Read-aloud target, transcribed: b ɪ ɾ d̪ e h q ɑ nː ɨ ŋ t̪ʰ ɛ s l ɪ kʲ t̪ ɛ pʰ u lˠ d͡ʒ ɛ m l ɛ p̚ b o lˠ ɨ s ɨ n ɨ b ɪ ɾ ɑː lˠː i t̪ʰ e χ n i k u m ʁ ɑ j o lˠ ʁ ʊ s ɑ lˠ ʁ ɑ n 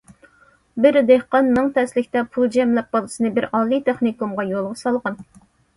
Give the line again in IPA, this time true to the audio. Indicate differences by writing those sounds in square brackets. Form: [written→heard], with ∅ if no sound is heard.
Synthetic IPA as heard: b ɪ ɾ d̪ e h q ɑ nː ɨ ŋ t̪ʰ ɛ s l ɪ kʲ t̪ ɛ pʰ u lˠ d͡ʒ ɛ m l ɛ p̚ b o lˠ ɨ s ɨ n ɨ b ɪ ɾ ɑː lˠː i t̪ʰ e χ n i k u m ʁ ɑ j o lˠ ʁ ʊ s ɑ lˠ ʁ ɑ n